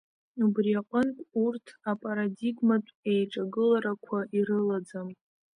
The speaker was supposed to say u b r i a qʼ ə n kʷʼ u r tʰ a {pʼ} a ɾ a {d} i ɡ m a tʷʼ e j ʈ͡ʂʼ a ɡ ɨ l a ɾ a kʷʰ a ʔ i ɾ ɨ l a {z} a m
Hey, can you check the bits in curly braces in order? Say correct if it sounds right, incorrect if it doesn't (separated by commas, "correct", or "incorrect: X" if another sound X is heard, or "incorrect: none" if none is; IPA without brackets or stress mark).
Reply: correct, correct, incorrect: d͡z